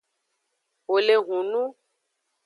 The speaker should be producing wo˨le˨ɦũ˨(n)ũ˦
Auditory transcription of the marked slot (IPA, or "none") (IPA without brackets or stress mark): n